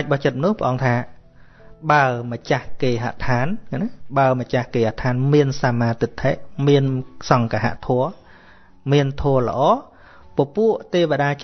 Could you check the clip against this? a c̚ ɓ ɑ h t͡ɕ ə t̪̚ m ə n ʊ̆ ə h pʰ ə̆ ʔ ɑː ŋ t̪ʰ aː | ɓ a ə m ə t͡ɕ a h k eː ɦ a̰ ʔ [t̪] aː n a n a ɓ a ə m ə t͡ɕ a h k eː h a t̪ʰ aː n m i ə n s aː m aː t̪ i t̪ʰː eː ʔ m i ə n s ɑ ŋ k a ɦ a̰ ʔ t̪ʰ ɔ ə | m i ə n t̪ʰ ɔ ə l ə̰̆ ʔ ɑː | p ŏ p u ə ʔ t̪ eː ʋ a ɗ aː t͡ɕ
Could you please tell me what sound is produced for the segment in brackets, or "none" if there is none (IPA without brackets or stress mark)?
t̪ʰ